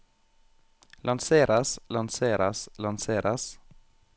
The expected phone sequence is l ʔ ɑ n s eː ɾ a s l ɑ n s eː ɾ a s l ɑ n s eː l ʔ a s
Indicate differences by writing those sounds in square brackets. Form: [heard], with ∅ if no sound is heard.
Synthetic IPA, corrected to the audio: l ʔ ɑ n s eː ɾ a s l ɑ n s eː ɾ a s l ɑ n s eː [ɾ] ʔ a s